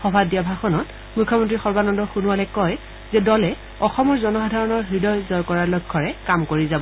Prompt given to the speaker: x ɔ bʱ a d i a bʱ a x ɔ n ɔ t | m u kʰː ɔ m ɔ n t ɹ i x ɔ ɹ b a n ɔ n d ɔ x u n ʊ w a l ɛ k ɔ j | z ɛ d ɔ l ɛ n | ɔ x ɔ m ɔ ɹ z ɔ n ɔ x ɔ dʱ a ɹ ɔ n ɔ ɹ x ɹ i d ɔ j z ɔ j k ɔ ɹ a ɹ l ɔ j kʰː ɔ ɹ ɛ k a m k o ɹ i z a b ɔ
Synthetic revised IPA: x ɔ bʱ a d i a bʱ a x ɔ n ɔ t | m u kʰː ɔ m ɔ n t ɹ i x ɔ ɹ b a n ɔ n d ɔ x u n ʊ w a l ɛ k ɔ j | z ɛ d ɔ l ɛ | ɔ x ɔ m ɔ ɹ z ɔ n ɔ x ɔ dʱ a ɹ ɔ n ɔ ɹ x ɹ i d ɔ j z ɔ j k ɔ ɹ a ɹ l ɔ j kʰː ɔ ɹ ɛ k a m k o ɹ i z a b ɔ